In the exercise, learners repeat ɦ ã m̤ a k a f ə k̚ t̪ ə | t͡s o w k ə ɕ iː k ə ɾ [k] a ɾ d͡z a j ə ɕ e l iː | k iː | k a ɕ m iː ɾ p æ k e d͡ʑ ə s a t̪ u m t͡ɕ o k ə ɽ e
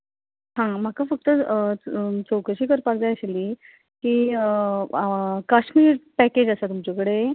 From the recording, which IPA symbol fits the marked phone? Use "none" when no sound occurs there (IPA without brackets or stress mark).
p